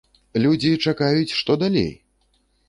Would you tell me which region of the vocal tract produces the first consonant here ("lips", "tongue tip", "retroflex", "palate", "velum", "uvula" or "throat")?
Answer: tongue tip